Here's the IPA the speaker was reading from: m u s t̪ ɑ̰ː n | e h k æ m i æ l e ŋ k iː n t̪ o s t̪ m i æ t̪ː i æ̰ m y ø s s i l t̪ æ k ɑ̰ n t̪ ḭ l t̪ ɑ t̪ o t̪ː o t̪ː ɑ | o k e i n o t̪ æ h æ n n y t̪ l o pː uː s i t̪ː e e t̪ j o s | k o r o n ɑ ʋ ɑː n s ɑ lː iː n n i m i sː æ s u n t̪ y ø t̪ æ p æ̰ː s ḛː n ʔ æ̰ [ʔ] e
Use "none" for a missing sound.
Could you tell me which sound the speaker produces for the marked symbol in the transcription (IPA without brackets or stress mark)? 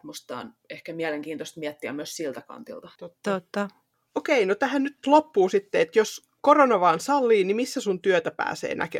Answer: k